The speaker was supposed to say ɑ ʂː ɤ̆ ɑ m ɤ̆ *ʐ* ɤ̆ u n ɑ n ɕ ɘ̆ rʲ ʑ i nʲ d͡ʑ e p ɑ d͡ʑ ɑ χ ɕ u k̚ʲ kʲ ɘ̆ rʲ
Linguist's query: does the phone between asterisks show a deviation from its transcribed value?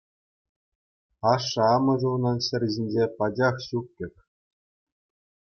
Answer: no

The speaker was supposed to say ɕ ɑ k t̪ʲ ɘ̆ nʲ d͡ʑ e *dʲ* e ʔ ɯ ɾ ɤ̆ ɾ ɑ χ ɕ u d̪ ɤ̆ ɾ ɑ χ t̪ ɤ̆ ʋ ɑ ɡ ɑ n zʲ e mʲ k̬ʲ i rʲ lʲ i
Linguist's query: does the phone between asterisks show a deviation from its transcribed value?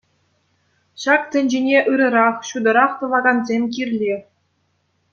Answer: yes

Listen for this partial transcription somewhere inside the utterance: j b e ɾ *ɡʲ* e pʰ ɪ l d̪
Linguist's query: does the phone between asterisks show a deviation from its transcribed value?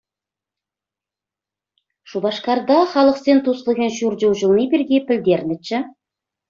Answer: no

